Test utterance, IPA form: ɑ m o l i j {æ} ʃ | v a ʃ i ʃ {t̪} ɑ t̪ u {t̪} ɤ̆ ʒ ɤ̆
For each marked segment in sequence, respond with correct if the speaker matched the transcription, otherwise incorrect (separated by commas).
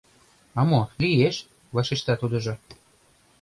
incorrect, correct, incorrect